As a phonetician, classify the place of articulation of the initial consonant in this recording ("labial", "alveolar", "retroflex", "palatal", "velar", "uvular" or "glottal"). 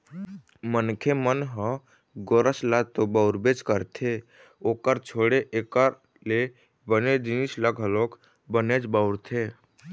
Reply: labial